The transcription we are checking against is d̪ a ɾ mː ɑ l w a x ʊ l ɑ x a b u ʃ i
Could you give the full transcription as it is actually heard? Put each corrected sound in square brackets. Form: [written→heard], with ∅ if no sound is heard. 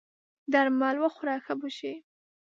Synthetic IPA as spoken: d̪ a ɾ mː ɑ l w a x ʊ [l→ɾ] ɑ x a b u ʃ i